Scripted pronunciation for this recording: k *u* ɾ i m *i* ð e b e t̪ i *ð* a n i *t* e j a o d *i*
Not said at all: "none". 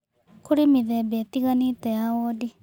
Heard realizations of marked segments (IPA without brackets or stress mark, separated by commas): u, i, ɣ, t, i